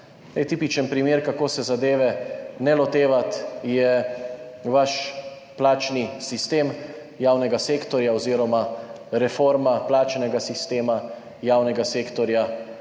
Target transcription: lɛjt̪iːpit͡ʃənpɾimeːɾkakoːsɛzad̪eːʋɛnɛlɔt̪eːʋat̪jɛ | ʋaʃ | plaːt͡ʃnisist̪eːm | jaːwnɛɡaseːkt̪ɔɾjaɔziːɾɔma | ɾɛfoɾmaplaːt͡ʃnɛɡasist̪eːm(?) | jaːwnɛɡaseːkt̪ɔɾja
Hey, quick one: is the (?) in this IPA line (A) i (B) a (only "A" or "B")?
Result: B